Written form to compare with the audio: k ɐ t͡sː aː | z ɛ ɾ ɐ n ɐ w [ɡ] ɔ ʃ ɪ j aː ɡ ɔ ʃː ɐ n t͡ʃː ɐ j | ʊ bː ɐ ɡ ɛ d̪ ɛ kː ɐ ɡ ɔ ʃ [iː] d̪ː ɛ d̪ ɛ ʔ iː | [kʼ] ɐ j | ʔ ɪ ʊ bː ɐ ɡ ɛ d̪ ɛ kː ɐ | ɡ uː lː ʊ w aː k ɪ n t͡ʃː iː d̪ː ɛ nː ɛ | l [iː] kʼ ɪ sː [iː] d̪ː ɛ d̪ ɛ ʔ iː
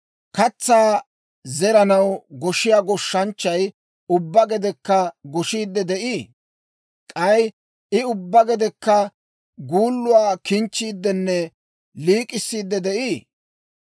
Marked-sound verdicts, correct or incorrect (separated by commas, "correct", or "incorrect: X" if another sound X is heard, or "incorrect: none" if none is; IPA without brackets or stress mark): correct, correct, correct, correct, correct